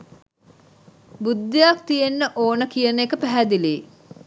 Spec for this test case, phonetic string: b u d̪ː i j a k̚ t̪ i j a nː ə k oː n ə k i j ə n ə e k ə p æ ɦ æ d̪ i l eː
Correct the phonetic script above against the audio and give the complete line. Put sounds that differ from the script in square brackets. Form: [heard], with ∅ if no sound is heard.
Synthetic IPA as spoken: b u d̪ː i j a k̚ t̪ i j [e] nː ə [ʔ] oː n ə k i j ə n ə e k ə p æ ɦ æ d̪ i l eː